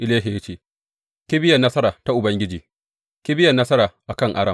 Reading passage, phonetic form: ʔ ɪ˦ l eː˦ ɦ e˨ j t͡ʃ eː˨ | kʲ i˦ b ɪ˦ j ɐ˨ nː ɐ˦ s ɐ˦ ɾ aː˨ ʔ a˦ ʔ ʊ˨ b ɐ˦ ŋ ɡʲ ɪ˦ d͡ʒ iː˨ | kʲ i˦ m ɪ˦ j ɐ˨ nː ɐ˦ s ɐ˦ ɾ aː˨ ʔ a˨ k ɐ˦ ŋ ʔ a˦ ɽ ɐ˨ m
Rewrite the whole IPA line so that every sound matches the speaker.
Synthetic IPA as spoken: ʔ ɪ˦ l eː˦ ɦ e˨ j t͡ʃ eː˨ | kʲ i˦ b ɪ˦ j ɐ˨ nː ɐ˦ s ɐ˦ ɾ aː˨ t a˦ ʔ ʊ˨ b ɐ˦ ŋ ɡʲ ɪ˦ d͡ʒ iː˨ | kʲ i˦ b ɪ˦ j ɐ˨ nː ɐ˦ s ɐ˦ ɾ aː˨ ʔ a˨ k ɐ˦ ŋ ʔ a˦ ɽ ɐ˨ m